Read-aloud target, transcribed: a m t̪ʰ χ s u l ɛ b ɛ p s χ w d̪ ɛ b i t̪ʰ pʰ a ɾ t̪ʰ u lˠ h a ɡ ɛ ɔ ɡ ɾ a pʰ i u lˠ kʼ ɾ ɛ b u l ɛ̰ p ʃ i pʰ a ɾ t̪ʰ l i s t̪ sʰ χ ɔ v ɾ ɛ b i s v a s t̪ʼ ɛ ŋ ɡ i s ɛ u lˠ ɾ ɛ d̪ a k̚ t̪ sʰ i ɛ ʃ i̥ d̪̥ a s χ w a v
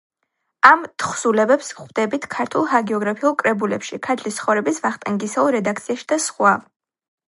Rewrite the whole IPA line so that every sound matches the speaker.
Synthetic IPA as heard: a m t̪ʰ χ s u l ɛ b ɛ p s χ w d̪ ɛ b i t̪ʰ kʰ a ɾ t̪ʰ u lˠ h a ɡ ɛ ɔ ɡ ɾ a pʰ i u lˠ kʼ ɾ ɛ b u l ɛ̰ p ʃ i kʰ a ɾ t̪ʰ l i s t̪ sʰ χ ɔ v ɾ ɛ b i s v a χ t̪ʼ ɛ ŋ ɡ i s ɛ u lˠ ɾ ɛ d̪ a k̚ t̪ sʰ i a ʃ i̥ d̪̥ a s χ w a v